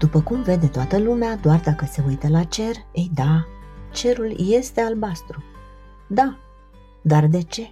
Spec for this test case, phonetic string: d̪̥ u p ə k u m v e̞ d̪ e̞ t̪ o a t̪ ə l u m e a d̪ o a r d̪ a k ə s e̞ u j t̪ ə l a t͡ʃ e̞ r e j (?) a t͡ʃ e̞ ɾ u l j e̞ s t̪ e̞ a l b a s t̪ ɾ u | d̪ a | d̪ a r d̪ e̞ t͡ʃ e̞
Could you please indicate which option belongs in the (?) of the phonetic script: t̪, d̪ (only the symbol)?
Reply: d̪